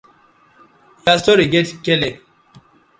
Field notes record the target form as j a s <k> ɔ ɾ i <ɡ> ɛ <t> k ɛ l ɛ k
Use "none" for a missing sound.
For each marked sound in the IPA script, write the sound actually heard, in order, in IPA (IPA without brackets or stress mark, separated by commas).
t, ɡ, t